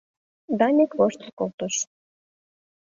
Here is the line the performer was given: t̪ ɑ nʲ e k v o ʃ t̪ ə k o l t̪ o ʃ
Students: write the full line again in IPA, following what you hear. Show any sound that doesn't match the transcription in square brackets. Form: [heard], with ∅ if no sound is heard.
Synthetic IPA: [d̪] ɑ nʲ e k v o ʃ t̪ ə k o l t̪ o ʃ